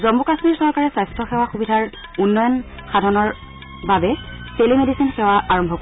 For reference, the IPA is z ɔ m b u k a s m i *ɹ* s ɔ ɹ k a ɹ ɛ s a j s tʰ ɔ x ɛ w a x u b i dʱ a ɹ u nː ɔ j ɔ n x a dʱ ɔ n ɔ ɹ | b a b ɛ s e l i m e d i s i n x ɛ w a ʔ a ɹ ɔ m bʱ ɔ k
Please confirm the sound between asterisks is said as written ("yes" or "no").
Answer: yes